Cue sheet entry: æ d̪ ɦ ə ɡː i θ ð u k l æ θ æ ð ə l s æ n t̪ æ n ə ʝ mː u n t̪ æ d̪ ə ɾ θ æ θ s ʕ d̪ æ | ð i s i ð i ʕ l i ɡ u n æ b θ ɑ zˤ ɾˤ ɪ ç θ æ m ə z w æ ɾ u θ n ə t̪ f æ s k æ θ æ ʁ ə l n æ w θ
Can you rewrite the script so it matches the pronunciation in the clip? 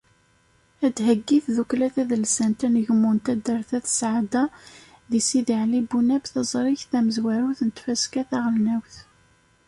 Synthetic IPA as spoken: æ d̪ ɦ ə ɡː i θ ð u k l æ θ æ ð ə l s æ n t̪ æ n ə ʝ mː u n t̪ æ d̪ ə ɾ θ æ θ s ʕ d̪ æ | ð i s i ð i ʕ l i b u n æ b θ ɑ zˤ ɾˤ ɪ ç θ æ m ə z w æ ɾ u θ n ə t̪ f æ s k æ θ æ ʁ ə l n æ w θ